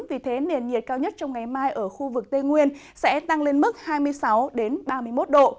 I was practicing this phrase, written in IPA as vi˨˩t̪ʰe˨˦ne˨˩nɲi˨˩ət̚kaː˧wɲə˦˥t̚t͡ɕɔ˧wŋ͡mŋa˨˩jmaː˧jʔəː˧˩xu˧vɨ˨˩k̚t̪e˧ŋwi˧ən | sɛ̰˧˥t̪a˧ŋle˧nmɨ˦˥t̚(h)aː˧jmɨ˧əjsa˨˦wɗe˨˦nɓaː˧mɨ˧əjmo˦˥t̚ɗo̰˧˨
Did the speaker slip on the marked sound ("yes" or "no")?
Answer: no